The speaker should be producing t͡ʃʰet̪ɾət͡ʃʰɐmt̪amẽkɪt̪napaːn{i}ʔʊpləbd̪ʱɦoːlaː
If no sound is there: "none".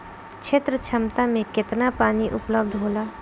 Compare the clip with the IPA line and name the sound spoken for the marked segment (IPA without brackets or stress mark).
i